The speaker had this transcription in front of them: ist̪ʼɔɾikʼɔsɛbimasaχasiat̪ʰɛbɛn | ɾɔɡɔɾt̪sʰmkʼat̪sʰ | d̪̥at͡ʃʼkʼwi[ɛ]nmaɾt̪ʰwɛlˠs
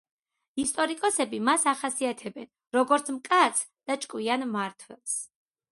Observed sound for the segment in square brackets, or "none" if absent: a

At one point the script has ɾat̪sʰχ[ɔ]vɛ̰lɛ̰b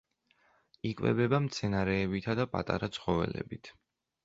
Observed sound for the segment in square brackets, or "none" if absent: ɔ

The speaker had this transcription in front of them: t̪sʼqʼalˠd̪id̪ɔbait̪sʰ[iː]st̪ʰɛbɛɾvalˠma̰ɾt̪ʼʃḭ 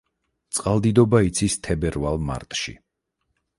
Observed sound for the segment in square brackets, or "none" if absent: i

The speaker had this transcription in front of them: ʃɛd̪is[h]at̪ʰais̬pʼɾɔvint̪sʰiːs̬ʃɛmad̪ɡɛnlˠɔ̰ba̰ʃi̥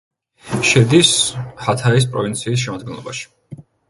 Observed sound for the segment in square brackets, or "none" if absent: h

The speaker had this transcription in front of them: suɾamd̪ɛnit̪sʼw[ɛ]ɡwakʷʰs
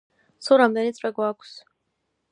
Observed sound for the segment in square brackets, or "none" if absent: ɛ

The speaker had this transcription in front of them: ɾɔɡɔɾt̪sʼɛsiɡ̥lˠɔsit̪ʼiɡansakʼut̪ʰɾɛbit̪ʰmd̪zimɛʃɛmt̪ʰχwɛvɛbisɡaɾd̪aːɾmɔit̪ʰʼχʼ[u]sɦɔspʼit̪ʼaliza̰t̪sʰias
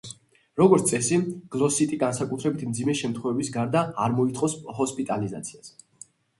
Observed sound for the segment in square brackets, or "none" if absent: ɔ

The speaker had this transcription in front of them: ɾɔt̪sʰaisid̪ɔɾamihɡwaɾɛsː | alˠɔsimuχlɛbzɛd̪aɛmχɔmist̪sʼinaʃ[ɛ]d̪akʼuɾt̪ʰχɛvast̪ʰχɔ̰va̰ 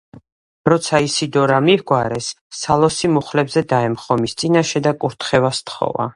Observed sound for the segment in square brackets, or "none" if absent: ɛ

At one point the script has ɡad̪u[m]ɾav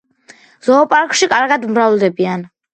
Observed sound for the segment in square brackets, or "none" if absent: m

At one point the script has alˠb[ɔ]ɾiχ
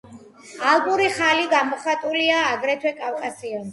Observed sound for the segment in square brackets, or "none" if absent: u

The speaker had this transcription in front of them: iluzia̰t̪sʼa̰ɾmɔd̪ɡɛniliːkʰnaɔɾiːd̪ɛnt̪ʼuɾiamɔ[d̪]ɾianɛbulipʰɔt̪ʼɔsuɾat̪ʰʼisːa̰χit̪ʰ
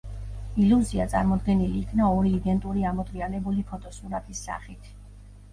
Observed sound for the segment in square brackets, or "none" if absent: d̪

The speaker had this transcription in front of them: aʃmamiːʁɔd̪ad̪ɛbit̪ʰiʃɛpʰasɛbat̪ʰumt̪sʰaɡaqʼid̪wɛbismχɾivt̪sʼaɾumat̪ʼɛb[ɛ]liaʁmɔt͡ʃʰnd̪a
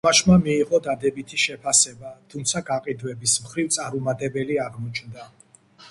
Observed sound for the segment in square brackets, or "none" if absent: ɛ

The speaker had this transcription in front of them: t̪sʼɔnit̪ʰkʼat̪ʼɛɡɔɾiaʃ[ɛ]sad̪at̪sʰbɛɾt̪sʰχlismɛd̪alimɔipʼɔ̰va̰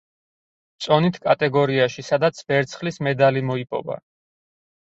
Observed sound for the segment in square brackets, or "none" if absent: i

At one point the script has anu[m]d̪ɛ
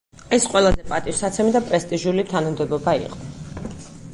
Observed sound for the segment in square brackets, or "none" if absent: m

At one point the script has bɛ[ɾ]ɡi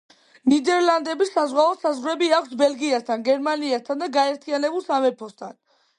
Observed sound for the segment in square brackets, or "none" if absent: l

